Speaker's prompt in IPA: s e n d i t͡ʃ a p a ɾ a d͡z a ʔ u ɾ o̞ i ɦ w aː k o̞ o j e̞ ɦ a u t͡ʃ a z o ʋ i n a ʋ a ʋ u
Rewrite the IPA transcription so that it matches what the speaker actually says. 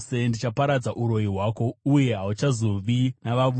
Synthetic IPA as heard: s e n d i t͡ʃ a p a ɾ a d͡z a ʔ u ɾ o̞ i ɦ w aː k o̞ u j e̞ ɦ a u t͡ʃ a z o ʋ i n a ʋ a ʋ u

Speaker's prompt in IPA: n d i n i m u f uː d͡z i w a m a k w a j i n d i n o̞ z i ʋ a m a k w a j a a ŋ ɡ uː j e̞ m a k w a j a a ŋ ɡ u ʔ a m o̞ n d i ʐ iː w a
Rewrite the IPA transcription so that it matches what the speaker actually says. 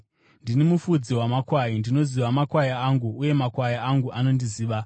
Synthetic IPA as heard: n d i n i m u f u d͡z i w a m a k w a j i n d i n o̞ z i ʋ a m a k w a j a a ŋ ɡ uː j e̞ m a k w a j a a ŋ ɡ u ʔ a n o̞ n d i z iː ʋ a

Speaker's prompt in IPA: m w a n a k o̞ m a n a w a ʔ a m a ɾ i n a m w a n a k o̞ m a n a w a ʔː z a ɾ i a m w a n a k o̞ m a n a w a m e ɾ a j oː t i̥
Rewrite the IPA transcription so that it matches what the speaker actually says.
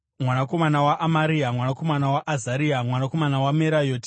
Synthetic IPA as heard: m w a n a k o̞ m a n a w a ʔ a m a ɾ i a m w a n a k o̞ m a n a w a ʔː z a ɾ i a m w a n a k o̞ m a n a w a m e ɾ a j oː t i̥

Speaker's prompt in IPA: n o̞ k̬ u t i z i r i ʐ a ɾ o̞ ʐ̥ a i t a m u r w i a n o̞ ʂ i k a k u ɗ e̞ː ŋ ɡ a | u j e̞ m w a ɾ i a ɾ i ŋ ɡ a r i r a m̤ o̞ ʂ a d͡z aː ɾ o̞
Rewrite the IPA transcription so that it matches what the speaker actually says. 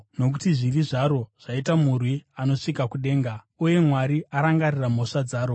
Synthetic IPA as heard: n o̞ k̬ u t i ʐ i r i ʐ a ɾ o̞ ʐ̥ a i t a m u r w i a n o̞ ʂ i k a k u ɗ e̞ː ŋ ɡ a | u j e̞ m w a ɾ i a ɾ a ŋ ɡ a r i r a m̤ o̞ ʂ a d͡z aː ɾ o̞

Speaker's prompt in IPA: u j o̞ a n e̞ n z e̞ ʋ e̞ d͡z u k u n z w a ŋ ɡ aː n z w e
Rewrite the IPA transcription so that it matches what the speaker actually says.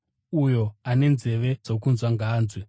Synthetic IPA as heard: u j o̞ a n e̞ n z e̞ ʋ e̞ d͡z o k u n z w a ŋ ɡ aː n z w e

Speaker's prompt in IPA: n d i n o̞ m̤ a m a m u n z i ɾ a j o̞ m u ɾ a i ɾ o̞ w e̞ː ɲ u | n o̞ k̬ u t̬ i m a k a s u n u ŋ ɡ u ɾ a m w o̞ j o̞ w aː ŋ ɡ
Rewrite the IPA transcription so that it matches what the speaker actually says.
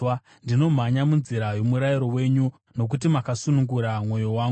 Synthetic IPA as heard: n d i n o̞ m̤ a ɲ a m u n z i ɾ a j o̞ m u ɾ a i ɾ o̞ w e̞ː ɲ u | n o̞ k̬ u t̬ i m a k a s u n u ŋ ɡ u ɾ a m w o̞ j o̞ w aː ŋ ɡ

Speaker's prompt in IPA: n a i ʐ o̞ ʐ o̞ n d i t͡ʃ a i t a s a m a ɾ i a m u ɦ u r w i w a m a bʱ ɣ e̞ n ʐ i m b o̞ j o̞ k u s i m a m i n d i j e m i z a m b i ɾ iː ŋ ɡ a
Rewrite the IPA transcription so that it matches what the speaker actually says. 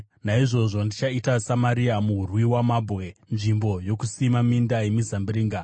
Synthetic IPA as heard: n a i ʐ o̞ ʐ o̞ n d i t͡ʃ a i t a s a m a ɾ i a m u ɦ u r w i w a m a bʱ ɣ e̞ n ʐ i m b o̞ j o̞ k u s i m a m i n d a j e m i z a m b i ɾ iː ŋ ɡ a

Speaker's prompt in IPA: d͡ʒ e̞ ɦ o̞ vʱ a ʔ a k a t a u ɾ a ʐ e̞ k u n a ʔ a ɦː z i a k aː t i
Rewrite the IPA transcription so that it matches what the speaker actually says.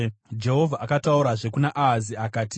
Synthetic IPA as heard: d͡ʒ e̞ ɦ o̞ vʱ a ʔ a k a t a u ɾ a ʐ e̞ k u n a ʔ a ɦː z i a k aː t i

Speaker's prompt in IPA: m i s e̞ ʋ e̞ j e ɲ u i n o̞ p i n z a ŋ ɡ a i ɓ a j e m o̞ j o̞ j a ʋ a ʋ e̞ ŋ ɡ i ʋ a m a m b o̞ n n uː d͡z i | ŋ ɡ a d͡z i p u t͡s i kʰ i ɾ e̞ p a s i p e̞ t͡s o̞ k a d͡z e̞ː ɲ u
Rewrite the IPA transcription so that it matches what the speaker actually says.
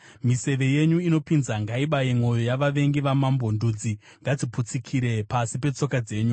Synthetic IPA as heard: m i s e̞ ʋ e̞ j e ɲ u i n o̞ p i n z a ŋ ɡ a i ɓ a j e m o̞ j o̞ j a ʋ a ʋ e̞ ŋ ɡ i ʋ a m a m b o̞ n d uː d͡z i | ŋ ɡ a d͡z i p u t͡s i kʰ i ɾ e̞ p a s i p e̞ t͡s o̞ k a d͡z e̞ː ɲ u

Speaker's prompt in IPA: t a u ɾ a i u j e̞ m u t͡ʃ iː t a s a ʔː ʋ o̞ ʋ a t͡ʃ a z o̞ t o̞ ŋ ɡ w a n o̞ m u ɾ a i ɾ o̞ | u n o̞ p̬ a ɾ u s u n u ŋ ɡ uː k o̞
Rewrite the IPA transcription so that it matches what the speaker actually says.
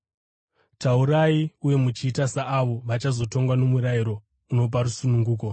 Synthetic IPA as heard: t a u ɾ a i u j e̞ m u t͡ʃ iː t a s a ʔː ʋ o̞ ʋ a t͡ʃ a z o̞ t o̞ ŋ ɡ w a n o̞ m u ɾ a i ɾ o̞ | u n o̞ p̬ a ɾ u s u n u ŋ ɡ uː k o̞

